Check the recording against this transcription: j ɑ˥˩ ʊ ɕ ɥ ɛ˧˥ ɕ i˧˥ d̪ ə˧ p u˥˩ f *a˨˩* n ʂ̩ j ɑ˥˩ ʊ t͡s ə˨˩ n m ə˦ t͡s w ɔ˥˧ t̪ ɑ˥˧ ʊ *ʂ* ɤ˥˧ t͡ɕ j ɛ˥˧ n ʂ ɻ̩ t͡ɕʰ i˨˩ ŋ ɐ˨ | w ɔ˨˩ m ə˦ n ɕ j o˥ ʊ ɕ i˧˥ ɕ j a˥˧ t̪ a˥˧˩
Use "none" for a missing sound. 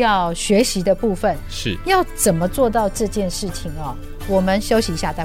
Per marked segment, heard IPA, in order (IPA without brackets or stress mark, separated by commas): ə˨˩, ʈ͡ʂ